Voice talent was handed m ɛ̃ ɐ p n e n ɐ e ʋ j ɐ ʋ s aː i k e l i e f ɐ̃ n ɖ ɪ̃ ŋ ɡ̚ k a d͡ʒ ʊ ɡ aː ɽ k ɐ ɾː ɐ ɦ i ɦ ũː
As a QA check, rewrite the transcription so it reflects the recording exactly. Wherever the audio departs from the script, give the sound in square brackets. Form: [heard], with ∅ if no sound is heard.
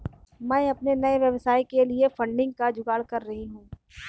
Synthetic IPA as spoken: m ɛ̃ ɐ p n e n ɐ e ʋ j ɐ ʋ s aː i k e l i e f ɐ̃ [ɳ] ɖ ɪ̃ ŋ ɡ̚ k a d͡ʒ ʊ ɡ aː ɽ k ɐ ɾː ɐ ɦ i ɦ ũː